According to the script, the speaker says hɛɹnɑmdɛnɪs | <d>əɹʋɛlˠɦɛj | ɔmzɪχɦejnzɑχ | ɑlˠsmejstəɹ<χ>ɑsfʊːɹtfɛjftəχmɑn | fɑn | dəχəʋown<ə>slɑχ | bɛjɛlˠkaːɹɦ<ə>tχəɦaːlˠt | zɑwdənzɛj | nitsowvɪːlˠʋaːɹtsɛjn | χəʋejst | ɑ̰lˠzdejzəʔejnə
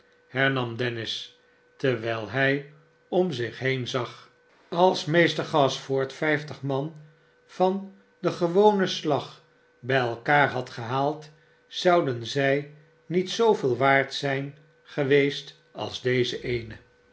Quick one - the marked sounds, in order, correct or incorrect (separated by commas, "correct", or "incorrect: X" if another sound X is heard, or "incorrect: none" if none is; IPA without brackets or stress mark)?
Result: incorrect: t, correct, correct, incorrect: ɑ